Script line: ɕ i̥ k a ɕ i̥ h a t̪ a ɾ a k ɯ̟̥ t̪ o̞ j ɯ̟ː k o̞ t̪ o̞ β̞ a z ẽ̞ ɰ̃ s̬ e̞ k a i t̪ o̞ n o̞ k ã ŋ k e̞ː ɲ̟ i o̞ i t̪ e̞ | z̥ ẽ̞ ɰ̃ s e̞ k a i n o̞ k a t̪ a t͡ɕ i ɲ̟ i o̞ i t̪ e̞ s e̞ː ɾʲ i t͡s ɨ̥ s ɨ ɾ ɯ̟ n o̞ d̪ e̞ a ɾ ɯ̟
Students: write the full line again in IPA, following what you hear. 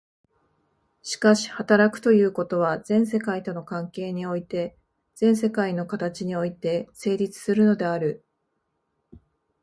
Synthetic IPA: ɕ i̥ k a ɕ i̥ h a t̪ a ɾ a k ɯ̟̥ t̪ o̞ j ɯ̟ː k o̞ t̪ o̞ β̞ a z ẽ̞ ɰ̃ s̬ e̞ k a i t̪ o̞ n o̞ k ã ŋ k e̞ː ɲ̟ i o̞ i t̪ e̞ | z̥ ẽ̞ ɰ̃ s e̞ k a i n o̞ k a t̪ a t͡ɕ i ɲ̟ i o̞ i t̪ e̞ s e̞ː ɾʲ i t͡s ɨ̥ s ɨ ɾ ɯ̟ n o̞ d̪ e̞ a ɾ ɯ̟